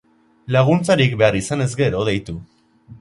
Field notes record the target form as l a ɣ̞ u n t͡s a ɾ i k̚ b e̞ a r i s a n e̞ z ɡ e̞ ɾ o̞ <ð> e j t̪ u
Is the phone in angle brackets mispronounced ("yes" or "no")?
no